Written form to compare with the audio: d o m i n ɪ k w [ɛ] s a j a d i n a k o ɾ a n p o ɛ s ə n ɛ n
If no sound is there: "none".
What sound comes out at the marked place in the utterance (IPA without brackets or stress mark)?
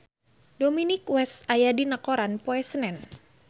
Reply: ɛ